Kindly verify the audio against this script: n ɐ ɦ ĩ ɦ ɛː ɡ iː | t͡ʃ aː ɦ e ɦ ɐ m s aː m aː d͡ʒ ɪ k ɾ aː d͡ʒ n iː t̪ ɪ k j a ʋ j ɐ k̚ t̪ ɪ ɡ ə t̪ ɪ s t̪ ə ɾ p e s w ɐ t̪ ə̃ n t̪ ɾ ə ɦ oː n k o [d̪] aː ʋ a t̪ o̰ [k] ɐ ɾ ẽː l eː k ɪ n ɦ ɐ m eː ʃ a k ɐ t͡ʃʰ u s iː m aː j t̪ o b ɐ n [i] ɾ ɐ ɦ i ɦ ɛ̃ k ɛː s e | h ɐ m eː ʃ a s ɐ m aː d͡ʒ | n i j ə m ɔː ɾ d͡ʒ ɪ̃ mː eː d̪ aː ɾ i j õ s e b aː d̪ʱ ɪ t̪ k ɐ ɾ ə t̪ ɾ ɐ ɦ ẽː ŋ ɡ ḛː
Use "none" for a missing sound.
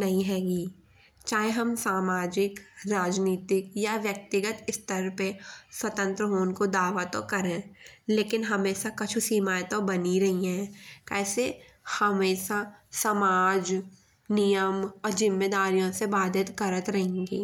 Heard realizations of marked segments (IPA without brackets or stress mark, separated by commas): d̪, k, i